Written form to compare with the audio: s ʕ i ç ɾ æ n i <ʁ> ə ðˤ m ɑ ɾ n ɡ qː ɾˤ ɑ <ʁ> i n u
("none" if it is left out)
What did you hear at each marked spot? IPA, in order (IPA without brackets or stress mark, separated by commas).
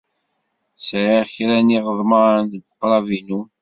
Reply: ʁ, v